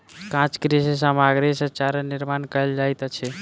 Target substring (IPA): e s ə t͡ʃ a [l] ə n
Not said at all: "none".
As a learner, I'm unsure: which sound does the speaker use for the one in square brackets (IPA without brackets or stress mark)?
ɾ